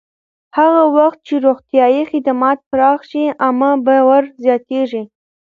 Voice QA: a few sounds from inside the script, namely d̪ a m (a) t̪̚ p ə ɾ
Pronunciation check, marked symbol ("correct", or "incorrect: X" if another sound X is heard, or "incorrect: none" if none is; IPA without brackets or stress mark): incorrect: ɑ